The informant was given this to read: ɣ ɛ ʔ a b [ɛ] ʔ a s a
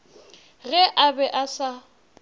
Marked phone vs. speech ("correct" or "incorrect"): correct